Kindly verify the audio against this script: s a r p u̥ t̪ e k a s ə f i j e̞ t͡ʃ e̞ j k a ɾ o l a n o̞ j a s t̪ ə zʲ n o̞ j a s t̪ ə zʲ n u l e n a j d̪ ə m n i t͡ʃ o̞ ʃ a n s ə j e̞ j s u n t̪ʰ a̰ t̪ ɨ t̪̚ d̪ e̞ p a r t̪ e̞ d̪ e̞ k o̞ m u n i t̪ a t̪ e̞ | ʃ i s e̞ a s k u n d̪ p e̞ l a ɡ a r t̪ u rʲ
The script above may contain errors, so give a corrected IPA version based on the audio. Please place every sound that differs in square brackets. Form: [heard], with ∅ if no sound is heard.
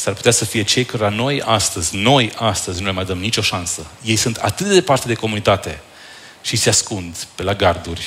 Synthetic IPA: s a r p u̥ t̪ e [∅] a s ə f i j e̞ t͡ʃ e̞ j k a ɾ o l a n o̞ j a s t̪ ə zʲ n o̞ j a s t̪ ə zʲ n u l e [m] a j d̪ ə m n i t͡ʃ o̞ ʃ a n s ə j e̞ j s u n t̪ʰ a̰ t̪ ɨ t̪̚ d̪ e̞ p a r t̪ e̞ d̪ e̞ k o̞ m u n i t̪ a t̪ e̞ | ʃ i s e̞ a s k u n d̪ p e̞ l a ɡ a r [d̪] u rʲ